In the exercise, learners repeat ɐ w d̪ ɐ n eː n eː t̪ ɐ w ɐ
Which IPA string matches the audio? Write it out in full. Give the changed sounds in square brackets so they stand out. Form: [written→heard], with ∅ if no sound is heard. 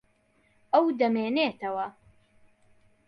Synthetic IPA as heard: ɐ w d̪ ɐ [n→m] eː n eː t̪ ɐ w ɐ